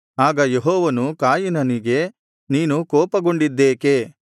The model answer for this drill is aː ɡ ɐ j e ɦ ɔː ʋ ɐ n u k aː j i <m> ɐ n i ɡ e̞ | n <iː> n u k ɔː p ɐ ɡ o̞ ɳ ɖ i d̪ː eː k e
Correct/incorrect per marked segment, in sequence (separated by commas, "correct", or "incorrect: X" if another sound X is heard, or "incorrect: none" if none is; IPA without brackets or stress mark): incorrect: n, correct